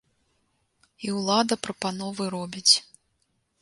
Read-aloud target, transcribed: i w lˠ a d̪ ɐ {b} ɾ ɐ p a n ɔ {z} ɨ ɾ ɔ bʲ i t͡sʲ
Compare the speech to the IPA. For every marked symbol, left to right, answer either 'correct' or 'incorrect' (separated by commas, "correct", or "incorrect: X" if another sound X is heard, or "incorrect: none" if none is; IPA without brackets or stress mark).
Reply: incorrect: p, incorrect: v